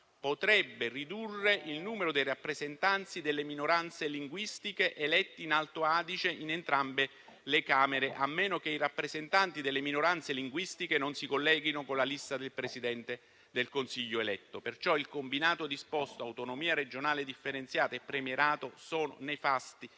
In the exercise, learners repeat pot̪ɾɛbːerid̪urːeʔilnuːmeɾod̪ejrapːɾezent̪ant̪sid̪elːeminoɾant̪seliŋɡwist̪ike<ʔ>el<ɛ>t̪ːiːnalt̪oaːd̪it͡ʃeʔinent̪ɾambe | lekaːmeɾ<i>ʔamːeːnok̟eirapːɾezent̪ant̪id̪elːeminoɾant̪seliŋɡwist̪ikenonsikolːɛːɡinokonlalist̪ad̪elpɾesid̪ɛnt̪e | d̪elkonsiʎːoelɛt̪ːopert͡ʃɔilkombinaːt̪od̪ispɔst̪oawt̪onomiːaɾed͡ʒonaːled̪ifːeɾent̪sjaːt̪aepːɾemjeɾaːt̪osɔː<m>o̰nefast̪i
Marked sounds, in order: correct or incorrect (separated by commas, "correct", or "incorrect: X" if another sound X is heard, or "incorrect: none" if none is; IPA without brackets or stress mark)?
correct, correct, incorrect: e, incorrect: n